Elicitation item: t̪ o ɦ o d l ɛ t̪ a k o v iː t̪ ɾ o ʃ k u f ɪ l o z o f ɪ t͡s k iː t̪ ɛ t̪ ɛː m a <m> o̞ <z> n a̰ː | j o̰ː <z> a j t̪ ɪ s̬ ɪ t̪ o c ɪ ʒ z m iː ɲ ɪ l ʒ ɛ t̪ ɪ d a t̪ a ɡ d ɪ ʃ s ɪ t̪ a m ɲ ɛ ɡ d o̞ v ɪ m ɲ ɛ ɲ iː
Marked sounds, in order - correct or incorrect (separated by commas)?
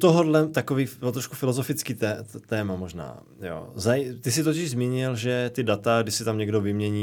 correct, incorrect, correct